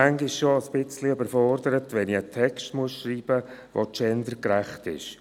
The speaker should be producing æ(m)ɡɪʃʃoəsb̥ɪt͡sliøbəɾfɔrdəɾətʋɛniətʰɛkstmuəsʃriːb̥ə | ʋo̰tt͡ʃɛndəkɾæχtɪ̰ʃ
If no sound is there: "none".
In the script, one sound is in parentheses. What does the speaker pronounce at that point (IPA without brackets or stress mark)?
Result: ŋ